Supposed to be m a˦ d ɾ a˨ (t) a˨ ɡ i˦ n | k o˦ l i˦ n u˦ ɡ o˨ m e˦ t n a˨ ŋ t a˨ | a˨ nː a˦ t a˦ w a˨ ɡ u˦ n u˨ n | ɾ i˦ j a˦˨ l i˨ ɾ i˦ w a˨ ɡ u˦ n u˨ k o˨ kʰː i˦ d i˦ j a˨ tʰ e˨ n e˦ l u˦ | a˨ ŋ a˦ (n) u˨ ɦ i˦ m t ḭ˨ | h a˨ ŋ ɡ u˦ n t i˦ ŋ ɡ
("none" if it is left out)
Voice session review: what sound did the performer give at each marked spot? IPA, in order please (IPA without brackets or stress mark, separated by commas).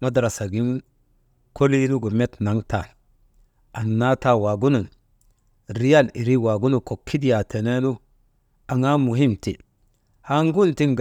s, m